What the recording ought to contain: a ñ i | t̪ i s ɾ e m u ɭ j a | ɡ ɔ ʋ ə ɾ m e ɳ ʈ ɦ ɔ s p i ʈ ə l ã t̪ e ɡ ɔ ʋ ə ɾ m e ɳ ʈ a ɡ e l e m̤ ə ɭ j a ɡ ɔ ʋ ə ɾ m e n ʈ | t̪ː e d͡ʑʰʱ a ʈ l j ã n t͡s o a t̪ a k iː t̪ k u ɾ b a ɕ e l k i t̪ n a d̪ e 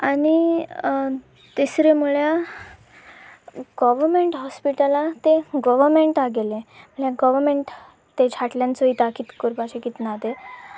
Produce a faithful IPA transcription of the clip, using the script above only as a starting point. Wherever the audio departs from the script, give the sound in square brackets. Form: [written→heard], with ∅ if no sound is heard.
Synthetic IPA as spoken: a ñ i | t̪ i s ɾ e m u ɭ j a | ɡ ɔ ʋ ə ɾ m e ɳ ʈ ɦ ɔ s p i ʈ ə l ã t̪ e ɡ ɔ ʋ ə ɾ m e ɳ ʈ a ɡ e l e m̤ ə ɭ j a ɡ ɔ ʋ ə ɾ m e [n→ɳ] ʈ | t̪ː e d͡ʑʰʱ a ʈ l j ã n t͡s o [a→i] t̪ a k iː t̪ k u ɾ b a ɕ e [l→∅] k i t̪ n a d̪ e